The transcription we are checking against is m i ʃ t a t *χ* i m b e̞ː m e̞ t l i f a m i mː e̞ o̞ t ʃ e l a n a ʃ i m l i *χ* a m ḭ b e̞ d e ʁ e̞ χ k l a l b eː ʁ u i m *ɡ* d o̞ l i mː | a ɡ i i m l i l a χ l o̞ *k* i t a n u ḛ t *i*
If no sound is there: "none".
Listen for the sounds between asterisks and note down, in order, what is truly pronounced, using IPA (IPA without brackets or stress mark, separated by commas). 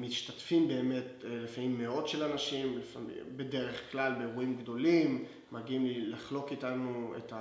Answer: f, f, ɡ, k, a